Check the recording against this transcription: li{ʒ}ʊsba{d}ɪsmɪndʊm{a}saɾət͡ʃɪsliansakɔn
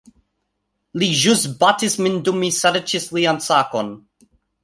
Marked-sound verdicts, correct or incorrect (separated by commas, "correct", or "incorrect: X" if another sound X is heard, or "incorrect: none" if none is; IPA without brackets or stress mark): correct, incorrect: t, incorrect: i